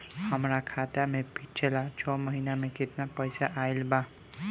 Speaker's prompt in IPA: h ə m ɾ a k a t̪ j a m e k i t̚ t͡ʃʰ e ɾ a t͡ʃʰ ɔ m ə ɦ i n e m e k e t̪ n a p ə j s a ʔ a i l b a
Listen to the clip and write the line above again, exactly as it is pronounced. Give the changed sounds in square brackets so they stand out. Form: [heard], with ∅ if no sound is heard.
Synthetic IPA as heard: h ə m ɾ a [kʰ] a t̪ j a m e [p] i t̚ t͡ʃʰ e [l] a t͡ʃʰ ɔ m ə ɦ i n [a] m e k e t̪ n a p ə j s a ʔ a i l b a